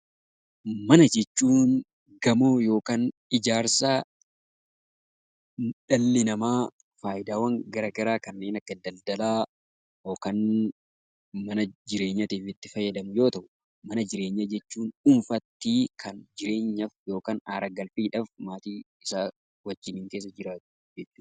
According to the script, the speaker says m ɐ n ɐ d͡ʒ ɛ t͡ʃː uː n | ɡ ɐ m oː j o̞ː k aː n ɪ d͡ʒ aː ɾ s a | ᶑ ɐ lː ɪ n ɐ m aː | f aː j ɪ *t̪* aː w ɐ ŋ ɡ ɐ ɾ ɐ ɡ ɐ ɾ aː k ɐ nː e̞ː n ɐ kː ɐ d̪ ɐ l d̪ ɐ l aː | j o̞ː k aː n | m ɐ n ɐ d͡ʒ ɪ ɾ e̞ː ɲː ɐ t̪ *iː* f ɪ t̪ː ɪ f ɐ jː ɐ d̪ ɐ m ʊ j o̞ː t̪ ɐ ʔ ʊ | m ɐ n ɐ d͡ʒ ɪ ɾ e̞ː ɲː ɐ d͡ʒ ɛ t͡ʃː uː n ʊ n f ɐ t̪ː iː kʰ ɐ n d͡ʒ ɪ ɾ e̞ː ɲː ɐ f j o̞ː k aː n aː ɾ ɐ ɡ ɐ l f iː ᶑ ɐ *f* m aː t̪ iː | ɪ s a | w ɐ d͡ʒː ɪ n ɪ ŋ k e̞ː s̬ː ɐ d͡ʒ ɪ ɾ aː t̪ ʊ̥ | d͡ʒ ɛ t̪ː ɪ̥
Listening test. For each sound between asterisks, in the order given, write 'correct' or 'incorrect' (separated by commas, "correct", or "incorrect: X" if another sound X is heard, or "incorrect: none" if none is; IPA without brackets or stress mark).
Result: incorrect: d̪, correct, correct